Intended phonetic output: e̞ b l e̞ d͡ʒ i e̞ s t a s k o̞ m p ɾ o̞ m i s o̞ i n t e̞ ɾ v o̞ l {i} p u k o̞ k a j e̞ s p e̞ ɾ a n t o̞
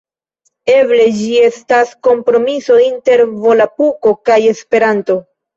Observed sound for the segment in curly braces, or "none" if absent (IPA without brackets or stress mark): a